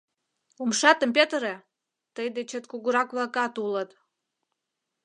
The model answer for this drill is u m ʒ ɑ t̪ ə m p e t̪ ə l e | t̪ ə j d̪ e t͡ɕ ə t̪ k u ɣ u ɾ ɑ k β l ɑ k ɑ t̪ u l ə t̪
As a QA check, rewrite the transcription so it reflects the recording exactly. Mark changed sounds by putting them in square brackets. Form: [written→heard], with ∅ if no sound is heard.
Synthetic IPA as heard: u m [ʒ→ʃ] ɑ t̪ ə m p e t̪ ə [l→ɾ] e | t̪ ə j d̪ e t͡ɕ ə t̪ k u ɣ u ɾ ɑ k β l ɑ k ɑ t̪ u l ə t̪